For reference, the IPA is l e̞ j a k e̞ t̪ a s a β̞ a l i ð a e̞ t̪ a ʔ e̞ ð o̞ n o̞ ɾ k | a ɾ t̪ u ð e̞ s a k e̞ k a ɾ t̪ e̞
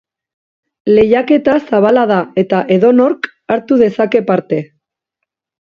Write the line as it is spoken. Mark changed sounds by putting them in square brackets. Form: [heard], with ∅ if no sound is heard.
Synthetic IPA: l e̞ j a k e̞ t̪ a s a β̞ a l [a] ð a e̞ t̪ a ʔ e̞ ð o̞ n o̞ ɾ k | a ɾ t̪ u ð e̞ s a k e̞ [p] a ɾ t̪ e̞